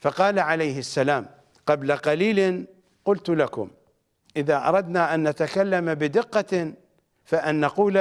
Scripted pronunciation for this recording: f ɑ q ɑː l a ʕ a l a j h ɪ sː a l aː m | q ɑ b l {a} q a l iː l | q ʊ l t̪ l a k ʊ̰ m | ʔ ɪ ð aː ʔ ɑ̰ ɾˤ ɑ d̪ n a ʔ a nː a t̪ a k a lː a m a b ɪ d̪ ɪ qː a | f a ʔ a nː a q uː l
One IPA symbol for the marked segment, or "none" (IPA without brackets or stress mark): a